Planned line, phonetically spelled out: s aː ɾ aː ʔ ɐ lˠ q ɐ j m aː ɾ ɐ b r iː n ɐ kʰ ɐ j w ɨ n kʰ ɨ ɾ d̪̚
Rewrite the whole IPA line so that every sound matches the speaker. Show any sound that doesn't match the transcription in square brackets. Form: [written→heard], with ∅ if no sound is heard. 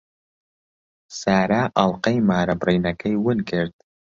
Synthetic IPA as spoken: s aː ɾ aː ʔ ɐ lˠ q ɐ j m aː ɾ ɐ b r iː n ɐ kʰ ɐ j w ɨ n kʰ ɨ ɾ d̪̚